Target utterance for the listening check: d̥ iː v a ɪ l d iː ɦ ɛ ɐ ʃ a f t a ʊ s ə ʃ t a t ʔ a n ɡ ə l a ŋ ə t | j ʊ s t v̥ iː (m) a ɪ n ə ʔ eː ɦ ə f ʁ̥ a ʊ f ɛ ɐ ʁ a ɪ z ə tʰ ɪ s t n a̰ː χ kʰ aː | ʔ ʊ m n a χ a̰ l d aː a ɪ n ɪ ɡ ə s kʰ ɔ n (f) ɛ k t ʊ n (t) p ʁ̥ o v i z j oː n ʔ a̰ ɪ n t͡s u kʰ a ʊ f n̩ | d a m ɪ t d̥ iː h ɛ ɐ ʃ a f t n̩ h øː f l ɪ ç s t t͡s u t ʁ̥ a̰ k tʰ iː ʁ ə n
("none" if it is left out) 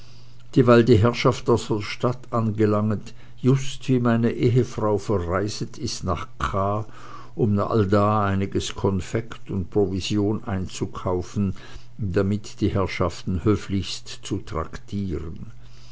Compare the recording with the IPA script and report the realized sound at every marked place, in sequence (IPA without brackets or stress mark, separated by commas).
m, f, t